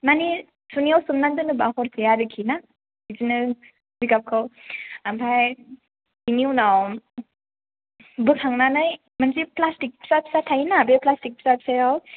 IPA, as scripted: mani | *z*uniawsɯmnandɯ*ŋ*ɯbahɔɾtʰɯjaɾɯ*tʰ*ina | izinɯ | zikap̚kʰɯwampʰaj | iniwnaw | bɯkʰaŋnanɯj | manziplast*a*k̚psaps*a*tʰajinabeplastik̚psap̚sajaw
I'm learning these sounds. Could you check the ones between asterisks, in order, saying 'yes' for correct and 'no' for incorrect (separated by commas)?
no, no, no, no, yes